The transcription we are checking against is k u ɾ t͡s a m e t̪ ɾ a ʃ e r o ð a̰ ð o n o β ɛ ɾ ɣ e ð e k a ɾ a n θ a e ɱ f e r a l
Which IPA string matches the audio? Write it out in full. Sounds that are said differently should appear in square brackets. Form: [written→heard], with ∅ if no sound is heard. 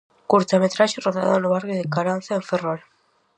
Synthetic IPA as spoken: k u ɾ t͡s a m e t̪ ɾ a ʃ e r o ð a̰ ð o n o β [ɛ→a] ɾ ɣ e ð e k a ɾ a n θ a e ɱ f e r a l

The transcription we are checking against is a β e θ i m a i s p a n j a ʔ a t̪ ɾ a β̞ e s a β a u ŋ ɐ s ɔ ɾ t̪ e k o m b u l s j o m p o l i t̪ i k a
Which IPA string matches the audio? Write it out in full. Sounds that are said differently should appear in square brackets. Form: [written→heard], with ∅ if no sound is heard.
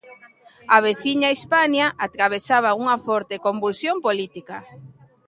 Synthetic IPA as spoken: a β e θ i [m→ɲ] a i s p a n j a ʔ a t̪ ɾ a β̞ e s a β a u ŋ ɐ [s→f] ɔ ɾ t̪ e k o m b u l s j o m p o l i t̪ i k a

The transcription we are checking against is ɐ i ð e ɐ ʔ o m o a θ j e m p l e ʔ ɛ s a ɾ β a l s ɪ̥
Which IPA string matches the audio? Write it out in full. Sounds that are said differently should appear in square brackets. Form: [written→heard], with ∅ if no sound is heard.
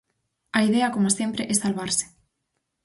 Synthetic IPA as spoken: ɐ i ð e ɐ [ʔ→k] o m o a [θ→s] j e m p [l→ɾ] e ʔ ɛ s a [ɾ→l] β a [l→ɾ] s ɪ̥

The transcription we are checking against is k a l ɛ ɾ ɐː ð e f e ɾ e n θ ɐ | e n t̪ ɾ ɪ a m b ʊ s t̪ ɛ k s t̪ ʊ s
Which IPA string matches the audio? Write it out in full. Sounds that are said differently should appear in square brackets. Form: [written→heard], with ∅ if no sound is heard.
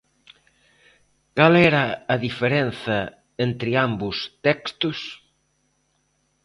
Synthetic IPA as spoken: k a l ɛ ɾ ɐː ð [e→i] f e ɾ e n θ ɐ | e n t̪ ɾ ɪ a m b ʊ s t̪ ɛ k s t̪ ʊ s

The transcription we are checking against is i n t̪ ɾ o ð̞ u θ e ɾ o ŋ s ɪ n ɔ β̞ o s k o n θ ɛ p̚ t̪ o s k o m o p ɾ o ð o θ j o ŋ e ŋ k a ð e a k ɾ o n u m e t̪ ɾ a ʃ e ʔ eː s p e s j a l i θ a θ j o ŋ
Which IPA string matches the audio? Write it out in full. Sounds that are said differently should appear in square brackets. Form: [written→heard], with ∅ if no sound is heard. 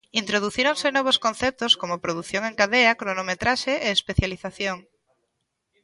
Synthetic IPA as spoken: i n t̪ ɾ o ð̞ u θ [e→i] ɾ o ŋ s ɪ n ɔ β̞ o s k o n θ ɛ p̚ t̪ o s k o m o p ɾ o ð [o→u] θ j o ŋ e ŋ k a ð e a k ɾ o n [u→o] m e t̪ ɾ a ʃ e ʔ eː s p e [s→θ] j a l i θ a θ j o ŋ

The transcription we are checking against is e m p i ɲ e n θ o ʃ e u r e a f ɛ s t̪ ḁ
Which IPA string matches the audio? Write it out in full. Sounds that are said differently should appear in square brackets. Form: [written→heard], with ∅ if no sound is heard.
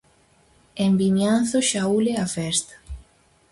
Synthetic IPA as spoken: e m [p→b] i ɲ [e→a] n θ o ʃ [e→a] u [r→l] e a f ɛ s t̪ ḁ

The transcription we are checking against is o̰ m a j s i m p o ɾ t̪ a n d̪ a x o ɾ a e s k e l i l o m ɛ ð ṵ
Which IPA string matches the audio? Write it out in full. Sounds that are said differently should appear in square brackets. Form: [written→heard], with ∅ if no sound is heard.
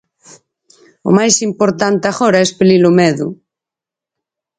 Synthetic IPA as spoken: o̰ m a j s i m p o ɾ t̪ a n [d̪→t̪] a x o ɾ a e s [k→p] e l i l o m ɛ ð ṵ

